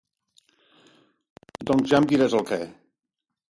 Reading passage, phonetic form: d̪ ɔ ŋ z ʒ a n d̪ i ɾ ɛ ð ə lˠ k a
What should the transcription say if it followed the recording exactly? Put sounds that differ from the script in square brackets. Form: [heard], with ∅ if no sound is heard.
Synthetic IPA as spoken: d̪ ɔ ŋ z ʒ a [m] d̪ i ɾ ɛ [z] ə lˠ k [ɛ]